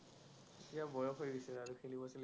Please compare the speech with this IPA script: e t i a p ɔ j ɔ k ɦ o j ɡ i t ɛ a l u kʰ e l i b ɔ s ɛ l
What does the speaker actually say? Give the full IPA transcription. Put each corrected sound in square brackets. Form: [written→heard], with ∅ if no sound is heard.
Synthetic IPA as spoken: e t i a [p→b] ɔ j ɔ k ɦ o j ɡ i [t→s] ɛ a [l→ɹ] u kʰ e l i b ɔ s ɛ l

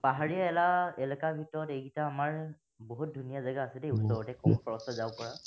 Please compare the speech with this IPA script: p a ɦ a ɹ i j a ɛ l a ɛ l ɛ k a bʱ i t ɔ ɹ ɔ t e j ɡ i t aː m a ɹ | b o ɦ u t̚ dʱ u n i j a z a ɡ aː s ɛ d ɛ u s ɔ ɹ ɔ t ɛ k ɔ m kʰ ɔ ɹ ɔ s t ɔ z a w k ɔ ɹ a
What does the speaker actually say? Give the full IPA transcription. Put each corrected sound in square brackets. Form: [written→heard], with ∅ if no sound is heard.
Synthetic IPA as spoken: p a ɦ a ɹ i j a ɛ l a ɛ l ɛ k a bʱ i t ɔ ɹ ɔ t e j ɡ i t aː m a ɹ | b o ɦ u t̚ dʱ u n i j a z a ɡ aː s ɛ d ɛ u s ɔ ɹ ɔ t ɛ k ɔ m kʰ ɔ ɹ ɔ s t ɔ z a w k ɔ ɹ a

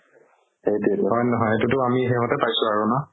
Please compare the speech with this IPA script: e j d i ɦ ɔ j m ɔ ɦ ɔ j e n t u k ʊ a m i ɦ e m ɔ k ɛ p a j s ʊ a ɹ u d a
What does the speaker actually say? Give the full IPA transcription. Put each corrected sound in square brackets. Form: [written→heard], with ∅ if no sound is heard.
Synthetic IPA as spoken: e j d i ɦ ɔ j [m→n] ɔ ɦ ɔ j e [n→∅] t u [k→t] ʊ a m i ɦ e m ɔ [k→t] ɛ p a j s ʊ a ɹ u [d→n] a

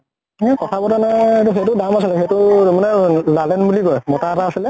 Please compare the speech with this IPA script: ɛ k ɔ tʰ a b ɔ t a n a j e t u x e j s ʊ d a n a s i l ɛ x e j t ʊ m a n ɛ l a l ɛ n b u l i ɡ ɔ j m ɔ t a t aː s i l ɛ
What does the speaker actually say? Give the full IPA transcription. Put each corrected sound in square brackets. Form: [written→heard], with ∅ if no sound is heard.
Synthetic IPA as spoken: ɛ k ɔ tʰ a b ɔ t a n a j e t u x e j [s→t] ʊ d a [n→m] a s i l ɛ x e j t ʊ m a n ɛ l a l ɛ n b u l i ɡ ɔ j m ɔ t a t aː s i l ɛ

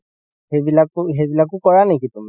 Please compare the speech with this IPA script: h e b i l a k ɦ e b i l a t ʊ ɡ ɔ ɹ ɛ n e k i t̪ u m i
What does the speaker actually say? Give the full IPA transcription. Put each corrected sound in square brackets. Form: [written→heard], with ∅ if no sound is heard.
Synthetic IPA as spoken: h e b i l a k ɦ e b i l a [t→k] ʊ [ɡ→k] ɔ ɹ [ɛ→a] n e k i t̪ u m i

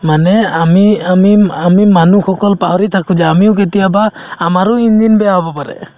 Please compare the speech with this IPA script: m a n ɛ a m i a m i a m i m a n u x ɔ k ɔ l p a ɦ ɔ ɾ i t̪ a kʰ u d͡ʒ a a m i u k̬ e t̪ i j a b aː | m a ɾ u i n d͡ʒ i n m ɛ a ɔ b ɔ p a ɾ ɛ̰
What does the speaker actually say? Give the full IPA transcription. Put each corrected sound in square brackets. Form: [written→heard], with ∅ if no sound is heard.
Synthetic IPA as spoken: m a n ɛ a m i a m i a m i m a n u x ɔ k ɔ l p a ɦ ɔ ɾ i [t̪→t̪ʰ] a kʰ u d͡ʒ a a m i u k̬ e t̪ i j a b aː | m a ɾ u i n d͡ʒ i n [m→b] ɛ a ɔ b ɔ p a ɾ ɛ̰

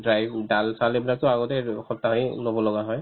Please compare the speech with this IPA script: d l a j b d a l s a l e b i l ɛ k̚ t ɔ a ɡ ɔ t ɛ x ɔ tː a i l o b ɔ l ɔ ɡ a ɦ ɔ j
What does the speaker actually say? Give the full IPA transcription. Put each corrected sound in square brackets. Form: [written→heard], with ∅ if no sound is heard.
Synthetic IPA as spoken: d [l→ɹ] a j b d a l s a l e b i l [ɛ→a] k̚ t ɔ a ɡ ɔ t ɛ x ɔ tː a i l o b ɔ l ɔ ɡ a ɦ ɔ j

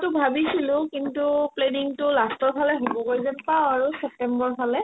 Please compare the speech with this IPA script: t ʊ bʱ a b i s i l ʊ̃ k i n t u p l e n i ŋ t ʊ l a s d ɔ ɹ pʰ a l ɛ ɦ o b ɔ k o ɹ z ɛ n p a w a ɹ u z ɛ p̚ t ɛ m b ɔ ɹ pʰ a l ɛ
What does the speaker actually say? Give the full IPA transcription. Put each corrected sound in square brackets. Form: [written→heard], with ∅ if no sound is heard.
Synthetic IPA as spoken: t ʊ bʱ a b i s i l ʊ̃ k i n t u p l e n i ŋ t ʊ l a s [d→t] ɔ ɹ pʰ a l ɛ ɦ o b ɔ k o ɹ z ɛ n p a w a ɹ u [z→s] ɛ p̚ t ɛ m b ɔ ɹ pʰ a l ɛ

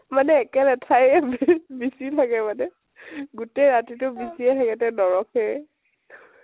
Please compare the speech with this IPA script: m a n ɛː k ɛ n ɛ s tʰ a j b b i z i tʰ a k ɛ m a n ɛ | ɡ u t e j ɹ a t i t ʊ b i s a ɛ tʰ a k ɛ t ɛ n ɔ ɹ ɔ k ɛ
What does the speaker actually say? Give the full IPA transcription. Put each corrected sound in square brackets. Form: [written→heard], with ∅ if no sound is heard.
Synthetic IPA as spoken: m a n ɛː k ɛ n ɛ [s→∅] tʰ a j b b i [z→s] i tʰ a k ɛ m a n ɛ | ɡ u t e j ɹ a t i t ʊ b i s [a→i] ɛ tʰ a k ɛ t ɛ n ɔ ɹ ɔ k ɛ

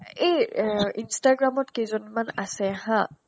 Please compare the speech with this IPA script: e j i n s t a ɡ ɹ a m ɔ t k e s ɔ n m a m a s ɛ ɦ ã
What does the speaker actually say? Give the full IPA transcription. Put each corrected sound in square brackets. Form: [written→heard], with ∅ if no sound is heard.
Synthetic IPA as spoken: e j i n s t a ɡ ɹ a m ɔ t k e [s→z] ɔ n m a [m→n] a s ɛ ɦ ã

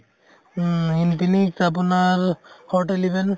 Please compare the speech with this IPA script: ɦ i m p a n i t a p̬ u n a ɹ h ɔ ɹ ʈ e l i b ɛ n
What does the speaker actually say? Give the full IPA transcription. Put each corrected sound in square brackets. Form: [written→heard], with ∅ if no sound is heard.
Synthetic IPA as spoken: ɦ i [m→n] p [a→i] n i [t→k] a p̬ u n a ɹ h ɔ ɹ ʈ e l i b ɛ n

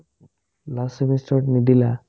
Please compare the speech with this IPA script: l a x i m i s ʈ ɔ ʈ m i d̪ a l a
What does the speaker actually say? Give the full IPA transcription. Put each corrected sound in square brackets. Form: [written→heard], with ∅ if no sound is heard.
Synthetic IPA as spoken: l a [x→s] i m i s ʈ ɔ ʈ [m→n] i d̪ [a→i] l a

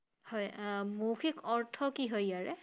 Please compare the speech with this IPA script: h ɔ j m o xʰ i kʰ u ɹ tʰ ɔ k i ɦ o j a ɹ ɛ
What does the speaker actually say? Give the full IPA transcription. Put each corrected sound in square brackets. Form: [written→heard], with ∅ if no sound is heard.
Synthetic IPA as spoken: h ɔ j m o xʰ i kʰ [u→ɔ] ɹ tʰ ɔ k i ɦ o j a ɹ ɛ

